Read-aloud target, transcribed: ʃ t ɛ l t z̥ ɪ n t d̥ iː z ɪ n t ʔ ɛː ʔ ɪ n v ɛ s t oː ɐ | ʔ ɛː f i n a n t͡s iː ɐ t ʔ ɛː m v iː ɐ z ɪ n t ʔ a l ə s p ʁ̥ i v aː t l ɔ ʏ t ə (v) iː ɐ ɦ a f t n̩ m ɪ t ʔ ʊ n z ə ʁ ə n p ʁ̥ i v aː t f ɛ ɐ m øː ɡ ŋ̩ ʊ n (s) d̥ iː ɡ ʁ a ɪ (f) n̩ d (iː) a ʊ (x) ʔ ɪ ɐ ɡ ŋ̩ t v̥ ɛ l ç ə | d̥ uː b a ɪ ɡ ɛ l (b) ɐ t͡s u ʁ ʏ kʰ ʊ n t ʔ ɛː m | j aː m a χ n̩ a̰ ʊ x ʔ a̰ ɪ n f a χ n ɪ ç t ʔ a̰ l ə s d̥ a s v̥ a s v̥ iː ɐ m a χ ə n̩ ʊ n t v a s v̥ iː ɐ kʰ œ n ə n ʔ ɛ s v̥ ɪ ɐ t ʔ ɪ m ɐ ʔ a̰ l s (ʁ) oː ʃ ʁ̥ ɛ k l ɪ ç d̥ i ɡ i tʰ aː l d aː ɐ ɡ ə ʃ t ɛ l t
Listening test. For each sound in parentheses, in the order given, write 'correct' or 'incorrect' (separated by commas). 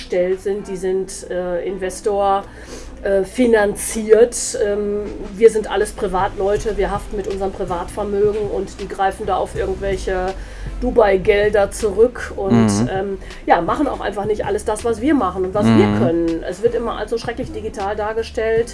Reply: correct, incorrect, correct, incorrect, incorrect, incorrect, incorrect